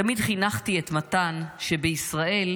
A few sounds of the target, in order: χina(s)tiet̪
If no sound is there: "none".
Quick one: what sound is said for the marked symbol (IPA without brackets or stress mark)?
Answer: χ